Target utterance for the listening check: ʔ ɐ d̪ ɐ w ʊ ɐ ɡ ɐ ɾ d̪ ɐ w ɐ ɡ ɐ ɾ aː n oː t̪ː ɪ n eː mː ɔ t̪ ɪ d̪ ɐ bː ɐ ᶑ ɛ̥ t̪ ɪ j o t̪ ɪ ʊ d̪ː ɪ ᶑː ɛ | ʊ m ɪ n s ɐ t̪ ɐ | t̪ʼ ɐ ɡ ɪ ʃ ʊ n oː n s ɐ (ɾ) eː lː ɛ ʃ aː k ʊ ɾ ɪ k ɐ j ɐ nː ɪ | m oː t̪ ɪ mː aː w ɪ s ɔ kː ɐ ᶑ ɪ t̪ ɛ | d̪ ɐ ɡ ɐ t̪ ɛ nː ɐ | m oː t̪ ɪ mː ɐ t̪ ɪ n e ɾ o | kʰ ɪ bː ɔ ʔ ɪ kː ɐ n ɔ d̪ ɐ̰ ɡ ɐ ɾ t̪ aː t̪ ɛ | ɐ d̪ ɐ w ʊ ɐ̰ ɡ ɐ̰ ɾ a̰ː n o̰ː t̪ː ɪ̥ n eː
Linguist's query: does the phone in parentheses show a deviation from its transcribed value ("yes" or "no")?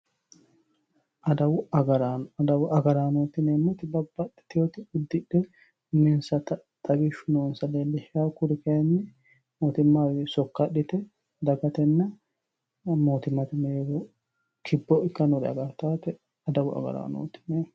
yes